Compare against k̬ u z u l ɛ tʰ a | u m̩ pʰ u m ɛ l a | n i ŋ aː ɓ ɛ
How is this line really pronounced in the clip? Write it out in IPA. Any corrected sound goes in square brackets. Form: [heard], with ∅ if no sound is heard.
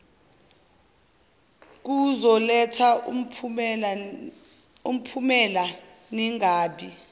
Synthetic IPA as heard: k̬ u z [ɔ] l ɛ tʰ a | u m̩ pʰ u m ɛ l a | n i ŋ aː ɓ [i]